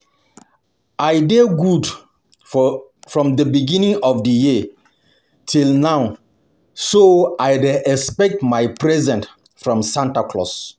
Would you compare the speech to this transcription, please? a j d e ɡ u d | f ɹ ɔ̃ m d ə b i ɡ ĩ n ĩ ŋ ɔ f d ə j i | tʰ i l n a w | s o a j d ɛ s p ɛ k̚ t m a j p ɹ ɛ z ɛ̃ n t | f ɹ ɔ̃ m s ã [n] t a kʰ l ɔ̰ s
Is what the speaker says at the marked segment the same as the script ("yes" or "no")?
yes